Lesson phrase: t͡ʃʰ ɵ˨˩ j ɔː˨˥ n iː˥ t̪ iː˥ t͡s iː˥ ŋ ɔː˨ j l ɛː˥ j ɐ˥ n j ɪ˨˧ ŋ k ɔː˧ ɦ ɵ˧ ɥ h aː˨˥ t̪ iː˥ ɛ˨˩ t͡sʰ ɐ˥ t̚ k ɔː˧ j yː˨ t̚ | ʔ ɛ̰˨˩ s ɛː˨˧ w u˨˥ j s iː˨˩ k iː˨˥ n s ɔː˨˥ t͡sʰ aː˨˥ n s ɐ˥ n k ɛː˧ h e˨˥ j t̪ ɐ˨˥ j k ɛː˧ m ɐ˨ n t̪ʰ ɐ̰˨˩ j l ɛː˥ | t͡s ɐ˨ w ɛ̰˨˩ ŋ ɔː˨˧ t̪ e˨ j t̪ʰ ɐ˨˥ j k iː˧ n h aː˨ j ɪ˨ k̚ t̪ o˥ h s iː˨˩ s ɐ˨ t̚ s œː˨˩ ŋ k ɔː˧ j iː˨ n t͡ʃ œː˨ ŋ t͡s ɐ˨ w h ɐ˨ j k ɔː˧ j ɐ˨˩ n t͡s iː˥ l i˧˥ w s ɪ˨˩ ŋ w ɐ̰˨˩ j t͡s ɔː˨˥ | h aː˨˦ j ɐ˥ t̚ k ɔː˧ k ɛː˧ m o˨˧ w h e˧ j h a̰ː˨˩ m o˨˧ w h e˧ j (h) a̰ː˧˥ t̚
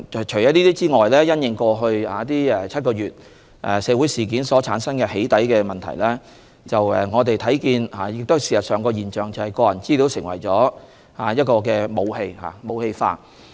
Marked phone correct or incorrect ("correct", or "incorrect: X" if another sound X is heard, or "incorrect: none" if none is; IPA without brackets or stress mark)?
incorrect: f